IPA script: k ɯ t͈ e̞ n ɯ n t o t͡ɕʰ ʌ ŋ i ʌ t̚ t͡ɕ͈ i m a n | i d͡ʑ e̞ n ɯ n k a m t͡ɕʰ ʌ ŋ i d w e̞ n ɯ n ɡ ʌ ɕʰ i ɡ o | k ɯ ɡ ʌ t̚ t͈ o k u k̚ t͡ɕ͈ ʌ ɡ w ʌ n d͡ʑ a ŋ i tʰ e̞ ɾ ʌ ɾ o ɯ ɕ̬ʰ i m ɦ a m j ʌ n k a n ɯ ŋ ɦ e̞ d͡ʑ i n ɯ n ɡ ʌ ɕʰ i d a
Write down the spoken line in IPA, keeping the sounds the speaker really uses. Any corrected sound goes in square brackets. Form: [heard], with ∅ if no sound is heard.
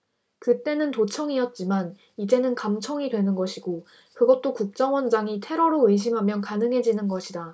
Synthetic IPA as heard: k ɯ t͈ e̞ n ɯ n t o t͡ɕʰ ʌ ŋ i ʌ t̚ t͡ɕ͈ i m a n | i d͡ʑ e̞ n ɯ n k a m t͡ɕʰ ʌ ŋ i d w e̞ n ɯ n ɡ ʌ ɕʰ i ɡ o | k ɯ ɡ ʌ t̚ t͈ o k u k̚ t͡ɕ͈ ʌ [ŋ] w ʌ n d͡ʑ a ŋ i tʰ e̞ ɾ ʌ ɾ o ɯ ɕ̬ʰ i m ɦ a m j ʌ n k a n ɯ ŋ ɦ e̞ d͡ʑ i n ɯ n ɡ ʌ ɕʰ i d a